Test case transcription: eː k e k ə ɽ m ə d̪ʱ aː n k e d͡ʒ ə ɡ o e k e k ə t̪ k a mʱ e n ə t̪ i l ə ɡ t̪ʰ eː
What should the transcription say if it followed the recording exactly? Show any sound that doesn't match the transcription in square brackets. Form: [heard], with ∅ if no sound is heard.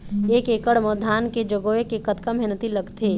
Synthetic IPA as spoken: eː k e k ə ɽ m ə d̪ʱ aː n k e d͡ʒ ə ɡ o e k e k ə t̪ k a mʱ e n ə t̪ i l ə ɡ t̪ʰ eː